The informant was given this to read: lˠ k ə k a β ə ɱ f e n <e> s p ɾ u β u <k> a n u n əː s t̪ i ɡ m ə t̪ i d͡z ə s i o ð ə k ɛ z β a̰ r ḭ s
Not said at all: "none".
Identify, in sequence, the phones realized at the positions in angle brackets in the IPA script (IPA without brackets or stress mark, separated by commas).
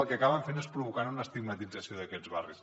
e, k